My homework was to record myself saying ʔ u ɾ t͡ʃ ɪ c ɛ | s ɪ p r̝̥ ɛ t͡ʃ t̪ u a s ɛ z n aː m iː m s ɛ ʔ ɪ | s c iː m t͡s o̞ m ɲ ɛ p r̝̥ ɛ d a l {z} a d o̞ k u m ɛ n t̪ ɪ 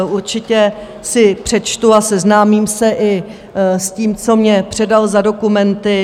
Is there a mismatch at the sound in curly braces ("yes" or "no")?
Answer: no